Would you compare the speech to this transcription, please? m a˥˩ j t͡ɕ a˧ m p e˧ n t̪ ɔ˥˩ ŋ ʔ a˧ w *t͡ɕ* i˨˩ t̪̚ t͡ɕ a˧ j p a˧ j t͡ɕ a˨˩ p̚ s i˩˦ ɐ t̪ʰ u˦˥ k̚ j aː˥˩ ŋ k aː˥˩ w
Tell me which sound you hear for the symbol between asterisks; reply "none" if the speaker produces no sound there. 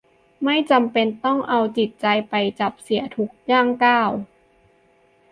t͡ɕ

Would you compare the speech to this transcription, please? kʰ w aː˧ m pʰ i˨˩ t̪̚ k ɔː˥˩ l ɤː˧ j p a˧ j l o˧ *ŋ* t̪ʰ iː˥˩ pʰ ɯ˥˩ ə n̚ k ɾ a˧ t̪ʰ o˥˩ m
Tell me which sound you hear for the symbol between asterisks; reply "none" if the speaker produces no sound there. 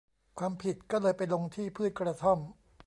ŋ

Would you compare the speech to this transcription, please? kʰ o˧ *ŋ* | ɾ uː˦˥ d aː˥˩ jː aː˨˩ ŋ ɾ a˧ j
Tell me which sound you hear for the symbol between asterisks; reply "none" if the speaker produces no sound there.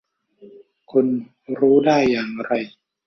n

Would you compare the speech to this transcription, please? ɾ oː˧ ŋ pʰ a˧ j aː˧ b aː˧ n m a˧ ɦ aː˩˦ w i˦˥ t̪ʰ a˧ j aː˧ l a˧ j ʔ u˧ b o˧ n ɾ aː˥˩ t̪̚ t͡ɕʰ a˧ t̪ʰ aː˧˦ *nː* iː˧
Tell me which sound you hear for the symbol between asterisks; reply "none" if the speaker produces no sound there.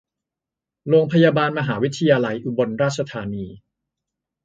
n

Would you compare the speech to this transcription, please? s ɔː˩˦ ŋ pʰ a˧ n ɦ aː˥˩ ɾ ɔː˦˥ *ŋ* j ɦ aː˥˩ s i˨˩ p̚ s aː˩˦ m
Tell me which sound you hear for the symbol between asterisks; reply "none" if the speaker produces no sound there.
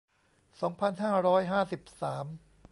none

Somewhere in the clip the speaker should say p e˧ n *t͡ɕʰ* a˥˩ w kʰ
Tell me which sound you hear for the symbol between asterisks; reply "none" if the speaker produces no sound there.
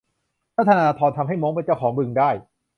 t͡ɕ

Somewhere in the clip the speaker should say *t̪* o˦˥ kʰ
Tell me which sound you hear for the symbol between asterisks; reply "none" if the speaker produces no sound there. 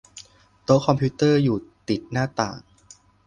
t̪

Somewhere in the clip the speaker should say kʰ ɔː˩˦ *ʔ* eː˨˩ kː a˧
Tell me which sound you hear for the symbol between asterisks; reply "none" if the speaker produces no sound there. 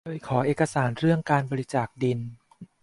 ʔ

